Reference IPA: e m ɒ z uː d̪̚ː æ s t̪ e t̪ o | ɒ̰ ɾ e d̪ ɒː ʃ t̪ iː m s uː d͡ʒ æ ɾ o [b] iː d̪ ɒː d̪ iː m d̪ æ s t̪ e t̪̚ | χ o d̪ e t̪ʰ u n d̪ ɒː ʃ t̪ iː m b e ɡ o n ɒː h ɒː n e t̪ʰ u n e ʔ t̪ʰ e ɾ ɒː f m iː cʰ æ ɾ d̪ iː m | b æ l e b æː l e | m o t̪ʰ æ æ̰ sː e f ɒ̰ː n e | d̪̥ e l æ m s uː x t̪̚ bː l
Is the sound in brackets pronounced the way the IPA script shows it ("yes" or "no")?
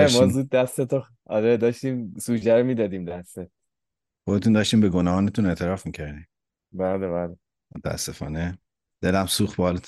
no